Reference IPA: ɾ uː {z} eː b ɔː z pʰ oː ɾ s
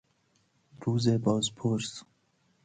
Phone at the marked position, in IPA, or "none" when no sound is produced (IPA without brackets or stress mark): z